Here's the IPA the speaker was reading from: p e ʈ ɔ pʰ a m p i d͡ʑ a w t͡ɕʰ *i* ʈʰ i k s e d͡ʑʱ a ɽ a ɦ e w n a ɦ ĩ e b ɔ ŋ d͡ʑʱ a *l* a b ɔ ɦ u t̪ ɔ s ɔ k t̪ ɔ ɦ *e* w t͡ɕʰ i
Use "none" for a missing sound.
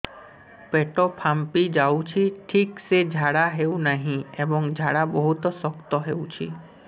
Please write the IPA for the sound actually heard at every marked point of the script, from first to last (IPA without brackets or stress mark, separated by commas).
i, ɽ, e